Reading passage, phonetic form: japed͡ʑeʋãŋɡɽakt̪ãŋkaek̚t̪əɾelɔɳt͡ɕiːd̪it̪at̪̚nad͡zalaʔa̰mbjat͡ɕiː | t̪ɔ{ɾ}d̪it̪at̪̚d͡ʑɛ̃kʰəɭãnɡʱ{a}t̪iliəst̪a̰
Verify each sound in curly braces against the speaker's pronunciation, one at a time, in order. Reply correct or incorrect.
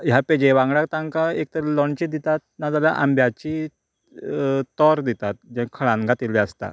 correct, correct

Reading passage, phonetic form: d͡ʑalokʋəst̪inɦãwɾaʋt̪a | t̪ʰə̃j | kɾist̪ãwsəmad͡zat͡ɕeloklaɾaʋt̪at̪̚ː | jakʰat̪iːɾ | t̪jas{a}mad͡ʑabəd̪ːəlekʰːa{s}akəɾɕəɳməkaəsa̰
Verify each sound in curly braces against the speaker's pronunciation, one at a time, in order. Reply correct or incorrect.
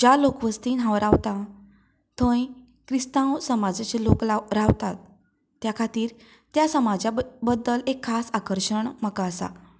incorrect: ə, correct

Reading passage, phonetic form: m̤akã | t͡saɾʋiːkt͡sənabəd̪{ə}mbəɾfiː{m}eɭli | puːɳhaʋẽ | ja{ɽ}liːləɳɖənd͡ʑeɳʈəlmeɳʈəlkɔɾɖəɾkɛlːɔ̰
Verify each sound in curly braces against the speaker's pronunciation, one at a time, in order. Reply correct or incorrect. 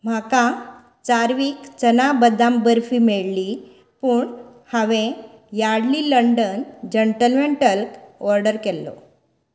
incorrect: a, correct, correct

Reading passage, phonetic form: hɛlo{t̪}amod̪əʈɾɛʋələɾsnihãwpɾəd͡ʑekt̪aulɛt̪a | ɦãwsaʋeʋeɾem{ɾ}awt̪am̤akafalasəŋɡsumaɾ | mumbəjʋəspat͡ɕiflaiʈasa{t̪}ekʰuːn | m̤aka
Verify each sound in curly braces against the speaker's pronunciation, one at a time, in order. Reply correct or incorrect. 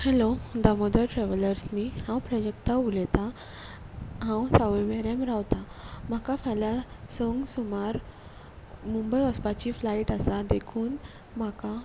incorrect: d̪, correct, incorrect: d̪

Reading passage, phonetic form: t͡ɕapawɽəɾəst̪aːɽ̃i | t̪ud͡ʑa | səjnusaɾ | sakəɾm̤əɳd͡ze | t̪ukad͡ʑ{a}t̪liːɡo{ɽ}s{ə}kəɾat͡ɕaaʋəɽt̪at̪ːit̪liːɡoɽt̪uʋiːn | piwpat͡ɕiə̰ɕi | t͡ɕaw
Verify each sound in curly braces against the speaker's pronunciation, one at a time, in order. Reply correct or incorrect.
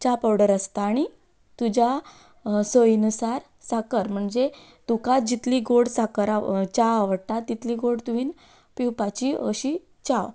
incorrect: i, correct, incorrect: a

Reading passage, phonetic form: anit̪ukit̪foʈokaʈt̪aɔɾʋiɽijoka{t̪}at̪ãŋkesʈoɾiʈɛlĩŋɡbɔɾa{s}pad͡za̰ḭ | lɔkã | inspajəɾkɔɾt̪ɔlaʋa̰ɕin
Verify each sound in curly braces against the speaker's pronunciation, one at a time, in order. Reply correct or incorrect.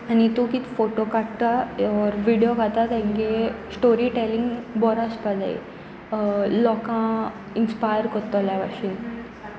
correct, correct

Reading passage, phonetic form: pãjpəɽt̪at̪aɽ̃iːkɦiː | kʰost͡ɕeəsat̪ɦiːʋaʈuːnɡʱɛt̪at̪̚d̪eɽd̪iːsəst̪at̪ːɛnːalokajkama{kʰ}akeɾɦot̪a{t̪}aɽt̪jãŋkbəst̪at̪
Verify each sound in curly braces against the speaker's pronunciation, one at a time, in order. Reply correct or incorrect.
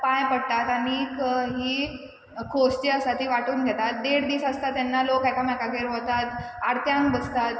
incorrect: k, correct

